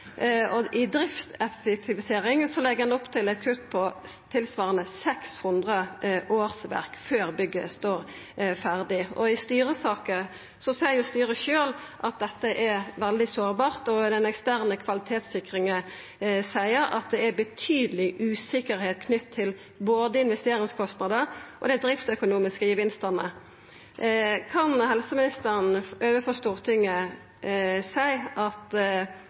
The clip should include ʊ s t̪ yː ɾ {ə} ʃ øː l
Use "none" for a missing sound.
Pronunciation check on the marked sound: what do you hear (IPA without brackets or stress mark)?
ə